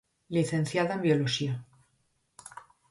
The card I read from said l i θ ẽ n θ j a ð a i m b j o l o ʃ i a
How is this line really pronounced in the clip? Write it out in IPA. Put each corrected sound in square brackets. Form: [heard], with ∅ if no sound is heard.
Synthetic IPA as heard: l i θ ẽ n θ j a ð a [e] m b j o l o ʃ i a